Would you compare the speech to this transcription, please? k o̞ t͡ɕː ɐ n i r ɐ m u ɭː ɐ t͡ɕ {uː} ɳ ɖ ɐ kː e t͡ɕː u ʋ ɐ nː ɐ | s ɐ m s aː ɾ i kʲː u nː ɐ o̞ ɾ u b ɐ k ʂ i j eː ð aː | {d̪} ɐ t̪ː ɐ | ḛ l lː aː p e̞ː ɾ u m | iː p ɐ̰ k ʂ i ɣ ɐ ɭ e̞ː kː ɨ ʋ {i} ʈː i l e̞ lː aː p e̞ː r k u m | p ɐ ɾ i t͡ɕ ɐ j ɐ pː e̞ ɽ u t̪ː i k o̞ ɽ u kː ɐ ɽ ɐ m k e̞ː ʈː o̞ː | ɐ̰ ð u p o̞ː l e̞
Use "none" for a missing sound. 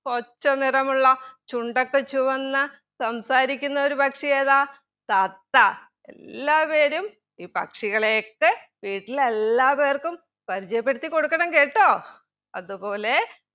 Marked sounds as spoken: u, t̪, iː

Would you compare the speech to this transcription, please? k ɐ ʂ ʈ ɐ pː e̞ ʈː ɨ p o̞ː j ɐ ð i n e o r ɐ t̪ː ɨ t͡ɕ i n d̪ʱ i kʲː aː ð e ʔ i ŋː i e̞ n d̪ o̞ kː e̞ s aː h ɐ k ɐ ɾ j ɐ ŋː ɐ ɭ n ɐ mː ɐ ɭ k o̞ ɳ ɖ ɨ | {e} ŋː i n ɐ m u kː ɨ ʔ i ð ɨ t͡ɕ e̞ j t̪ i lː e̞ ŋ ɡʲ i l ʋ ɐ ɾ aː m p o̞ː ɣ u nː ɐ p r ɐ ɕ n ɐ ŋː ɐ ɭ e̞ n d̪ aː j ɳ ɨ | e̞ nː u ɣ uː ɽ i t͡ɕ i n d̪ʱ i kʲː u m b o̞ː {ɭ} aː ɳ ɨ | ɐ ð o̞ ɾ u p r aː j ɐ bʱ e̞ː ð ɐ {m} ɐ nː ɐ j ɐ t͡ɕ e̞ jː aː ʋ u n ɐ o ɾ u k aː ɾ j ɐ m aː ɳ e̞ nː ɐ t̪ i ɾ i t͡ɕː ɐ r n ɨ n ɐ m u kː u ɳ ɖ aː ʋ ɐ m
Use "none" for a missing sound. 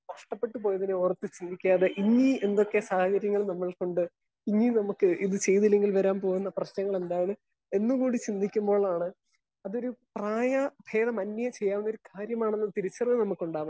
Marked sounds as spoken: i, ɭ, m

